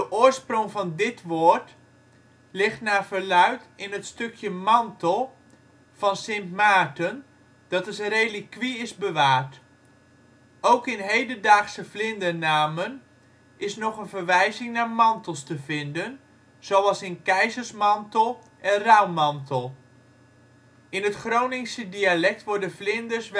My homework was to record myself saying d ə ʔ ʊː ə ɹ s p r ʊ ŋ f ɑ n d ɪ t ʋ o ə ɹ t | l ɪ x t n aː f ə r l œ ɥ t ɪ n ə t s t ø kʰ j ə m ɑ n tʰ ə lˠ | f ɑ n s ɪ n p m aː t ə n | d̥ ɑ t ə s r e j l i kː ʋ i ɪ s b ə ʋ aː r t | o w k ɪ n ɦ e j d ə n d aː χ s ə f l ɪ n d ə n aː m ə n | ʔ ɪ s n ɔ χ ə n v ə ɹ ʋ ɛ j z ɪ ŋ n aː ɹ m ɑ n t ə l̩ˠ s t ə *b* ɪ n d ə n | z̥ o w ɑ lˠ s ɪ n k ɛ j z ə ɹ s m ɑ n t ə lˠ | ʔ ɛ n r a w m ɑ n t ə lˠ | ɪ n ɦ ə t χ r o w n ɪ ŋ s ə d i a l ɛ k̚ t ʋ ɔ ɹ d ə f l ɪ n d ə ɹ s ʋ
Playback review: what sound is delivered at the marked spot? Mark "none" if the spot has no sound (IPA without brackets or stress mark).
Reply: v